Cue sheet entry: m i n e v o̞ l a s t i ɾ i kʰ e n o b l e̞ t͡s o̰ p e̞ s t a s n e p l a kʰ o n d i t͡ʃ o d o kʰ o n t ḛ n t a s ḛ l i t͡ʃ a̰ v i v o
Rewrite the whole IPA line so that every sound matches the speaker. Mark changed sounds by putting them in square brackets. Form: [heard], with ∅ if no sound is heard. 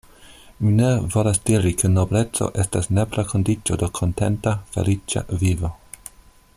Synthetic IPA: m i n e v o̞ l a s [d] i ɾ i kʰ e n o b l e̞ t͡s o̰ [ʔ] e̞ s t a s n e p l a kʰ o n d i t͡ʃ o d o kʰ o n t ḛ n t a [f] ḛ l i t͡ʃ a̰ v i v o